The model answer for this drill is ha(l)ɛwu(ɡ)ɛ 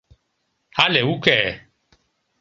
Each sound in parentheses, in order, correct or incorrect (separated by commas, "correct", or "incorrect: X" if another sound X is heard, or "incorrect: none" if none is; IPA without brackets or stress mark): correct, incorrect: k